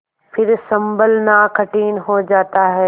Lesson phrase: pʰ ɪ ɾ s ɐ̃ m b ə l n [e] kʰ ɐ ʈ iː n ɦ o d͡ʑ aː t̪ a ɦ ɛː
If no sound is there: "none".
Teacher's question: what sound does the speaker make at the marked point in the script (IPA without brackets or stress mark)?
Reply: a